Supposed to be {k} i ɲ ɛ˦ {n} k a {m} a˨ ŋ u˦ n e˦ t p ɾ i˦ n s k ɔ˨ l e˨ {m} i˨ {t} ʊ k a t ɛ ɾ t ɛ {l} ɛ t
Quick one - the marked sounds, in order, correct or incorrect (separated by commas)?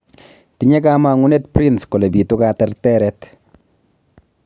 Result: incorrect, incorrect, correct, incorrect, correct, incorrect